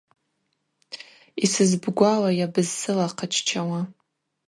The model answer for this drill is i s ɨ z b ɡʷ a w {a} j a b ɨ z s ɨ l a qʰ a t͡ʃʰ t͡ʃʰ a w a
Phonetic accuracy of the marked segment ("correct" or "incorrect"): correct